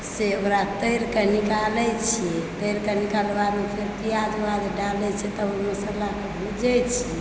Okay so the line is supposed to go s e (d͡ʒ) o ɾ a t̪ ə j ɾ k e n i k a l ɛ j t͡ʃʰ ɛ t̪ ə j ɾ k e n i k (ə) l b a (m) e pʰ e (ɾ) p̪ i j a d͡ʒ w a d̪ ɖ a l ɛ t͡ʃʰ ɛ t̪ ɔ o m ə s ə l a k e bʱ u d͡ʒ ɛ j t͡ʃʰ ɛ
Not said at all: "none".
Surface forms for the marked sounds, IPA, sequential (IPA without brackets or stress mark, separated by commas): none, a, m, ɾ